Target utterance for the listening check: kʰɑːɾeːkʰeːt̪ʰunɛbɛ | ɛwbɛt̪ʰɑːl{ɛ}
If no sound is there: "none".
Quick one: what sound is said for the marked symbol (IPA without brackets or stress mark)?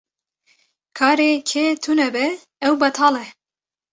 ɛ